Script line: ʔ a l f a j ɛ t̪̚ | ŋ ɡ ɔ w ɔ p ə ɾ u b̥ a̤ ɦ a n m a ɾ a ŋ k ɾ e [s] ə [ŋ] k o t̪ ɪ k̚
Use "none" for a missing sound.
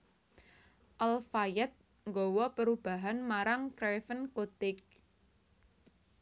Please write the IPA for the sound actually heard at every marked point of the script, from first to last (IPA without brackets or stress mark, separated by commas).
f, n